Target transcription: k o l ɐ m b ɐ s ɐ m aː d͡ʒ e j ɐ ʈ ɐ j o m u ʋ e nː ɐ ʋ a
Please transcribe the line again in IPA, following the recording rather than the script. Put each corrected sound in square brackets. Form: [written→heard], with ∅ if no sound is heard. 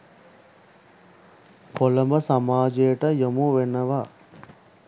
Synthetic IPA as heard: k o l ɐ m b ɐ s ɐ m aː d͡ʒ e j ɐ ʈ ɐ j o m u ʋ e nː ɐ ʋ a